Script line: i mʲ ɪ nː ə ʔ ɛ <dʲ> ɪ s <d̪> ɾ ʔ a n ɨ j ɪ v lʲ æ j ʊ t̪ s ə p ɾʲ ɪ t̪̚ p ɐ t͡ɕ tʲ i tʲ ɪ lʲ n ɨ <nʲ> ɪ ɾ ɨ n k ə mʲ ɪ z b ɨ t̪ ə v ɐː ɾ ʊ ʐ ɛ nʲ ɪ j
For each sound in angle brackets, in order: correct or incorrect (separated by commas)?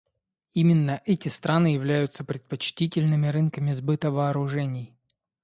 incorrect, incorrect, incorrect